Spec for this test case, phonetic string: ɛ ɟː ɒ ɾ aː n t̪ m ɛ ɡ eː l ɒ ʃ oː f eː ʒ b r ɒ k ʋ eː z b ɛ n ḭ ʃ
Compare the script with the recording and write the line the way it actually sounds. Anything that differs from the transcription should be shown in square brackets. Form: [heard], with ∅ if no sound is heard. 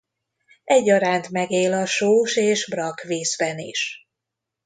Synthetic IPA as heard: ɛ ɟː ɒ ɾ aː n t̪ m ɛ ɡ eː l ɒ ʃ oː [ʃ] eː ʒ b r ɒ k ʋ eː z b ɛ n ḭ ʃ